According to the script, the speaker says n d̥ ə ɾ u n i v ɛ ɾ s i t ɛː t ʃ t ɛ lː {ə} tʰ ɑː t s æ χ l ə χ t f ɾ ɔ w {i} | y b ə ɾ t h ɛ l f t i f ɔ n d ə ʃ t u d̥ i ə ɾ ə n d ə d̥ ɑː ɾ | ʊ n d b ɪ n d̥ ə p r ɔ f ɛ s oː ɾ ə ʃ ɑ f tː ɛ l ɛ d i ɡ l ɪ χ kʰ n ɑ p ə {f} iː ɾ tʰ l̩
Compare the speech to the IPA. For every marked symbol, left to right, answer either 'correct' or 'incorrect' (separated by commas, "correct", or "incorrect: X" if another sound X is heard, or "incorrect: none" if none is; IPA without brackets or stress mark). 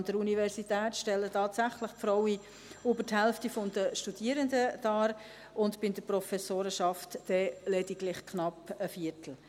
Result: correct, correct, correct